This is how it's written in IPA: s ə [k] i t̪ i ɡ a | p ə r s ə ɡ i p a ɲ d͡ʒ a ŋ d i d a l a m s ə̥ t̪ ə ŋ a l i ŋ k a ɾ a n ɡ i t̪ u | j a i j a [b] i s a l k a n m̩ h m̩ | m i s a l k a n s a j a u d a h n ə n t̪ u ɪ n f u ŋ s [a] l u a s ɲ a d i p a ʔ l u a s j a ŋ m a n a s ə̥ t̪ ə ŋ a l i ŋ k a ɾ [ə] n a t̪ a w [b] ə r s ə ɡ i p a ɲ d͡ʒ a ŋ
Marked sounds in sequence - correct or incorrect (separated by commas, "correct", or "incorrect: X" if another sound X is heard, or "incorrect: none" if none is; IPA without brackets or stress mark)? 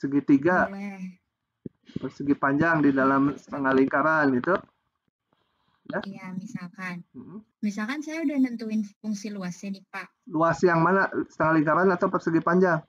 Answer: incorrect: ɡ, incorrect: m, incorrect: i, incorrect: a, incorrect: p